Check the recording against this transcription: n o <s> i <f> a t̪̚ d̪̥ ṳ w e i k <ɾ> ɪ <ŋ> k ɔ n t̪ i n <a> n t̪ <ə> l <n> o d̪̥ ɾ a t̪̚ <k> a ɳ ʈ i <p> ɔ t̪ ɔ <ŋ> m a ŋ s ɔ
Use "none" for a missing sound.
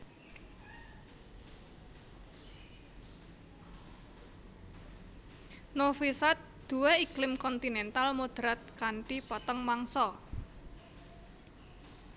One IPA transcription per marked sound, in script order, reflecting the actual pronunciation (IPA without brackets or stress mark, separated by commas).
f, s, l, m, ɛ, a, m, k, p, ŋ